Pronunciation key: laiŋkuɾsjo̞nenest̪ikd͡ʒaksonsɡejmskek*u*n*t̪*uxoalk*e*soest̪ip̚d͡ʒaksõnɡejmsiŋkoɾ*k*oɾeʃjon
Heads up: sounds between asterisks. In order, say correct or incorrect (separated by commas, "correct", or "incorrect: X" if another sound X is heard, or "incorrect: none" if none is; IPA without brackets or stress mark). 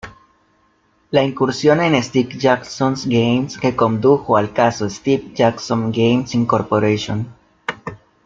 incorrect: o, incorrect: d̪, incorrect: a, incorrect: p